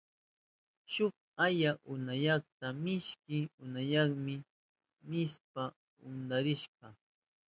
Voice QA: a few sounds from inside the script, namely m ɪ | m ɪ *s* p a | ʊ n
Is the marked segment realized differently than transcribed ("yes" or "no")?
no